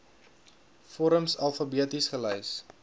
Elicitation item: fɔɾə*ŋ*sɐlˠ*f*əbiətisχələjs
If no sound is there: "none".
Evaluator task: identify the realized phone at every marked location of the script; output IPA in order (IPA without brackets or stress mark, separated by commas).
m, f